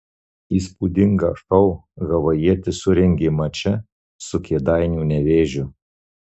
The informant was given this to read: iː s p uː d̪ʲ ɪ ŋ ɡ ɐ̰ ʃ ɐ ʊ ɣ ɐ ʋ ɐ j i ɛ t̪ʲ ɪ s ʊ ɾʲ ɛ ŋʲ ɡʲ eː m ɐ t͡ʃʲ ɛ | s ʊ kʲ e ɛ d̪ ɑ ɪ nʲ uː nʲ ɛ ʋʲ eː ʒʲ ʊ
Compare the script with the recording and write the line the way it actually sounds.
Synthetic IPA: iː s p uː d̪ʲ ɪ ŋ ɡ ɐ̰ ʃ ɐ ʊ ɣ ɐ ʋ ɐ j i ɛ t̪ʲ ɪ s ʊ ɾʲ ɛ ŋʲ ɡʲ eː m ɐ t͡ʃʲ ɛ | s ʊ kʲ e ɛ d̪ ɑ ɪ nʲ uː nʲ ɛ ʋʲ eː ʒʲ ʊ